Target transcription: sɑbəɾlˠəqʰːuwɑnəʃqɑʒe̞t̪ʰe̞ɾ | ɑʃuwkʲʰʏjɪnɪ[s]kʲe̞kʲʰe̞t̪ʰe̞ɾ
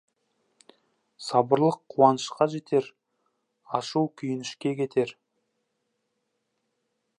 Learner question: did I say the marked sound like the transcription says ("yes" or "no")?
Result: no